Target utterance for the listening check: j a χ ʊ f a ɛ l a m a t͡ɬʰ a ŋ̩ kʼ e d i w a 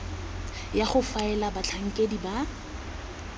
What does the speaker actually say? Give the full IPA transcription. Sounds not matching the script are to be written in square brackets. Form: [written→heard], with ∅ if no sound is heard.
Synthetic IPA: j a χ ʊ f a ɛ l a [m→b] a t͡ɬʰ a ŋ̩ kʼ e d i [w→b] a